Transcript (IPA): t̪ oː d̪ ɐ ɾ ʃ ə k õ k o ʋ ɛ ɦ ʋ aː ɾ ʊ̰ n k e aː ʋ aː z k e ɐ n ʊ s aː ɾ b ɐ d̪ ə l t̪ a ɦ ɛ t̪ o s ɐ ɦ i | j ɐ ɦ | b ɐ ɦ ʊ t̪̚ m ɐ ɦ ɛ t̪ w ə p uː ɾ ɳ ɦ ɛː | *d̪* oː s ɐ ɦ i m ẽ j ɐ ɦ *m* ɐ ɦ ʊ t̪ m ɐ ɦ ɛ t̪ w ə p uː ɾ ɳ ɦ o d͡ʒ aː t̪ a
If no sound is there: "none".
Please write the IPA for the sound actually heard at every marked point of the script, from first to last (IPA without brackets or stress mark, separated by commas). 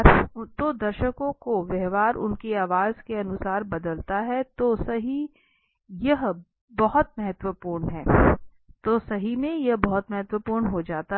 t̪, b